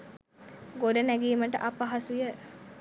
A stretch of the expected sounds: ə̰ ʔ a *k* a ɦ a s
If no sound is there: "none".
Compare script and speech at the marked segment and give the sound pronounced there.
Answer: p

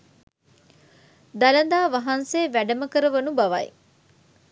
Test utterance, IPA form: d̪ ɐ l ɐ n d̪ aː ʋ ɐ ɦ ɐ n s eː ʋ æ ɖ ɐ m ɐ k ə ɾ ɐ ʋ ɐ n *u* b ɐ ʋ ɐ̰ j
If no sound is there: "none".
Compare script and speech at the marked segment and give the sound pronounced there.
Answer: u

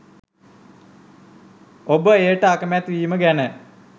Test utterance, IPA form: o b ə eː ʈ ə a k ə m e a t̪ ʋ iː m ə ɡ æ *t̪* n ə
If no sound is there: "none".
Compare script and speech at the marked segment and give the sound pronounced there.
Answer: none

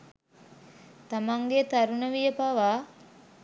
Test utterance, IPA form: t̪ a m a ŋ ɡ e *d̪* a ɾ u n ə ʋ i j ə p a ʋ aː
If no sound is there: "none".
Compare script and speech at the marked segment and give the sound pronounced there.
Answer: t̪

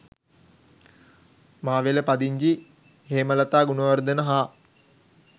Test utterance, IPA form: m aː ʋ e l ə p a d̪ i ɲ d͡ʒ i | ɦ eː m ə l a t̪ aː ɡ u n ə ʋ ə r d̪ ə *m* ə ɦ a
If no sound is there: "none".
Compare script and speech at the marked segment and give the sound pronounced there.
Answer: n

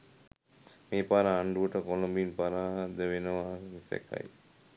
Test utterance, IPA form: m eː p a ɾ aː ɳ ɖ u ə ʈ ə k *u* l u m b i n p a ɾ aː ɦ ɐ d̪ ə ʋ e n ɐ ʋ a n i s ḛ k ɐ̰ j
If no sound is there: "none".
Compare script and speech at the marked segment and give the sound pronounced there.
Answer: o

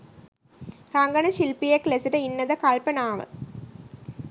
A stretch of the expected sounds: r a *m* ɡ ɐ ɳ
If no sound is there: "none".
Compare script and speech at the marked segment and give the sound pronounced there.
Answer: ŋ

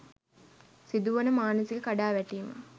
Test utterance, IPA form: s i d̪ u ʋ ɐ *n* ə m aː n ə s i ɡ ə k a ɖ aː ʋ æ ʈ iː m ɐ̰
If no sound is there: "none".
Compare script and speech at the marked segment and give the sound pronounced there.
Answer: n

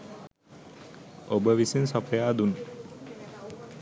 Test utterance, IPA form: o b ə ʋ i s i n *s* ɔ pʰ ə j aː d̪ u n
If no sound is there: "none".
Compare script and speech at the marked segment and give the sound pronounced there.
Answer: s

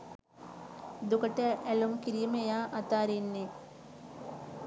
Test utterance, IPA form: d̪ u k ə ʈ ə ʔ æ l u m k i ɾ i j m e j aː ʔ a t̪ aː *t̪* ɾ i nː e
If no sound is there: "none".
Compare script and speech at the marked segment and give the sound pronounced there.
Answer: none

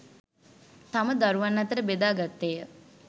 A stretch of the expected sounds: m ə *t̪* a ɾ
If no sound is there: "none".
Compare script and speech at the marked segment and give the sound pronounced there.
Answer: d̪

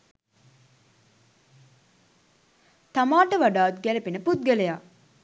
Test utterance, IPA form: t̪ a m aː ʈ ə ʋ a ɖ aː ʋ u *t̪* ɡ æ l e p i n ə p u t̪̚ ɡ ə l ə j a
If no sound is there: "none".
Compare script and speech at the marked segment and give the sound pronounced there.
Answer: t̪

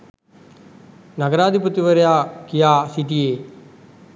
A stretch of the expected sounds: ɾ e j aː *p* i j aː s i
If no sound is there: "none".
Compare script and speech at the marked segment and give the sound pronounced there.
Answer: k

